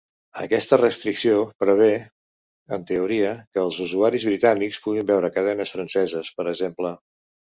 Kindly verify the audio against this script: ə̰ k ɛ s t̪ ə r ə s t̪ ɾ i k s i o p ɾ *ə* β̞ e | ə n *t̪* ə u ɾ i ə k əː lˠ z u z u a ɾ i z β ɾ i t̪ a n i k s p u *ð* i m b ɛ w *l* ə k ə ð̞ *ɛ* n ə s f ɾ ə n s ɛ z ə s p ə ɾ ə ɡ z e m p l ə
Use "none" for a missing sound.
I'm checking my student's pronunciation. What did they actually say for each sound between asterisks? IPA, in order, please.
ə, t̪, ɣ, ɾ, ɛ

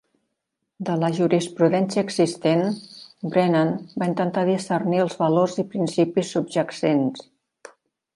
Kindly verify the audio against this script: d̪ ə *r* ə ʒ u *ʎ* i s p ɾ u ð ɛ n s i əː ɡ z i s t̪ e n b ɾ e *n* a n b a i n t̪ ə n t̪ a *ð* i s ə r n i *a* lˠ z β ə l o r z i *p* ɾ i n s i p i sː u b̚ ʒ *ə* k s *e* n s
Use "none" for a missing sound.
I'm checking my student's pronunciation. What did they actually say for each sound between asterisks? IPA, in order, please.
l, ɾ, n, ð, ə, p, ə, e

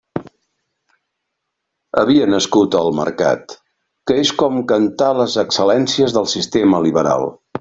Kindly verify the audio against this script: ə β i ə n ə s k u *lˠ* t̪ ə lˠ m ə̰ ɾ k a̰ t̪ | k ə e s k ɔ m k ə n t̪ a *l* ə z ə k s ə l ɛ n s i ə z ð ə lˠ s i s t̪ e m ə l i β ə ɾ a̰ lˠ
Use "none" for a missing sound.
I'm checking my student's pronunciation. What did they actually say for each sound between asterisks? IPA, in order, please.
none, l

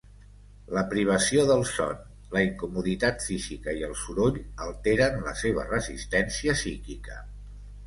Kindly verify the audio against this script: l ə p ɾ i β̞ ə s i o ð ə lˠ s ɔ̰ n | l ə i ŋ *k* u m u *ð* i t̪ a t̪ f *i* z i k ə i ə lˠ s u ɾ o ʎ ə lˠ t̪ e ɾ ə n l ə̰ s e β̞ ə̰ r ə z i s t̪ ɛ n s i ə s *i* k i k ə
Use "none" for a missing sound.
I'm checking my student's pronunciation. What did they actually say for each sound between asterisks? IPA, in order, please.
k, ð, i, i

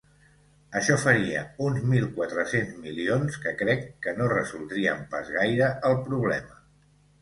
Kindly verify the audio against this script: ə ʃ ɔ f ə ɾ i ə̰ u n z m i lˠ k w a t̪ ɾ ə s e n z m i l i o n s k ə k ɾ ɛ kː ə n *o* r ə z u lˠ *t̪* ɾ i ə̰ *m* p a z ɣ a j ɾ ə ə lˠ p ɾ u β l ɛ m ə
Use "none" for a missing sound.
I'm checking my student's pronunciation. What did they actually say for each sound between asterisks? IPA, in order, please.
o, d̪, m

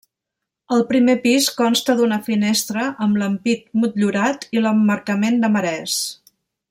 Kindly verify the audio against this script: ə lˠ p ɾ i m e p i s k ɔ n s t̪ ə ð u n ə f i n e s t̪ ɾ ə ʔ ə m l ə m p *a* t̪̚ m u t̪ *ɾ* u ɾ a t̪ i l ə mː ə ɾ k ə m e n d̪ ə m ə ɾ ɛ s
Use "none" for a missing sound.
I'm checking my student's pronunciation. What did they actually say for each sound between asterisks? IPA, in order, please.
i, ʎ

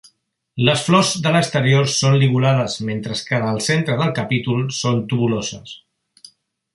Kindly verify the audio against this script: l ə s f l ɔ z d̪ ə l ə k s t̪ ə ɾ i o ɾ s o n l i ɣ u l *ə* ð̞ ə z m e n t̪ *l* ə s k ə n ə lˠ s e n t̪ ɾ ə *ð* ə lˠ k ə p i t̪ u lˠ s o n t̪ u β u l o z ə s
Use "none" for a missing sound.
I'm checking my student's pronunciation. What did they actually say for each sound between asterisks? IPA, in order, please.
a, ɾ, ð

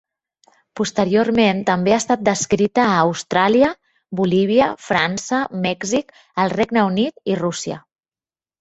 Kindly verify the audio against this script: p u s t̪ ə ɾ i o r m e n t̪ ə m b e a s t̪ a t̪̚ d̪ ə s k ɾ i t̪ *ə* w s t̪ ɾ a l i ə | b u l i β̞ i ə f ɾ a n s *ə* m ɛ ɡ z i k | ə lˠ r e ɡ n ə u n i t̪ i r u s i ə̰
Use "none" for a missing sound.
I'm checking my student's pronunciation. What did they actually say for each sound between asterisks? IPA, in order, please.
əː, ə

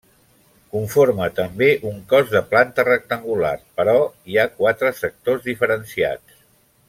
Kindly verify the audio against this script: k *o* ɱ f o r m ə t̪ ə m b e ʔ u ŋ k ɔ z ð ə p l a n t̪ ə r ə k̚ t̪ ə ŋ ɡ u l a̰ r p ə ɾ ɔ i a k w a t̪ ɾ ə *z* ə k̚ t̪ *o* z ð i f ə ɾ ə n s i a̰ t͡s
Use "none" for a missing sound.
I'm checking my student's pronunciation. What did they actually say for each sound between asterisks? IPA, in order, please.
u, s, o

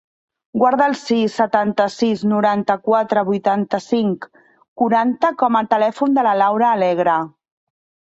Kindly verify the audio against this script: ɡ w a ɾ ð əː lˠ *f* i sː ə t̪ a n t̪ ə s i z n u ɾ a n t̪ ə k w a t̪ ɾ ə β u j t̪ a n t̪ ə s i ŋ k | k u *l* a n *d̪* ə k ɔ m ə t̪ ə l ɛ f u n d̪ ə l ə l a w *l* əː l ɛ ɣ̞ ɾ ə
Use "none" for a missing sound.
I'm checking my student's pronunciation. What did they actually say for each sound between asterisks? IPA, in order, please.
s, ɾ, t̪, ɾ

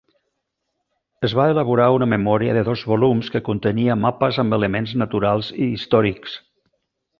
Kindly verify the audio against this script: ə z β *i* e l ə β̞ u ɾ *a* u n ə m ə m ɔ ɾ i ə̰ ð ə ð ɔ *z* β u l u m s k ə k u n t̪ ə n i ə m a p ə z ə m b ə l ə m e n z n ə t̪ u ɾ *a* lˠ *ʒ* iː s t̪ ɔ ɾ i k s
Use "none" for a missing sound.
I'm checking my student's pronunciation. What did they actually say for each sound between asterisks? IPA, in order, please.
a, a, z, a, z

